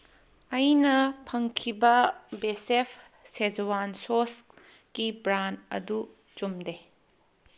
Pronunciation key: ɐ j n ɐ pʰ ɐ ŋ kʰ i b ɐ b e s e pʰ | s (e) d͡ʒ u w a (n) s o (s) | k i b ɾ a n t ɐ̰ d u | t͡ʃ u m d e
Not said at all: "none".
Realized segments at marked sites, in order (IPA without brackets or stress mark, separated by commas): e, n, s